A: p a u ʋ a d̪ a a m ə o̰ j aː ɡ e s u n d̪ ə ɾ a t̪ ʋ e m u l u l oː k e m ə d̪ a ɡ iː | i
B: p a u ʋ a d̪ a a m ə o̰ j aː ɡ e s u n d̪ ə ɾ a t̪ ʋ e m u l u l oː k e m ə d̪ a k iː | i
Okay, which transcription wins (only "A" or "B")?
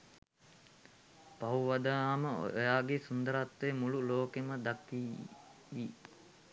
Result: B